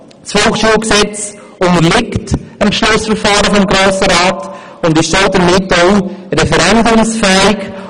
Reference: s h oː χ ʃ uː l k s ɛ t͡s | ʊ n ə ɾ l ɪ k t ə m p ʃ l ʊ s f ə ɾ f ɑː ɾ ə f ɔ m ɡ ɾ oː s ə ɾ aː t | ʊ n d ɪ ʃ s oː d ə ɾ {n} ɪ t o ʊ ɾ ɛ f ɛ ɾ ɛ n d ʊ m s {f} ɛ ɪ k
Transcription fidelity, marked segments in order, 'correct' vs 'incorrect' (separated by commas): incorrect, correct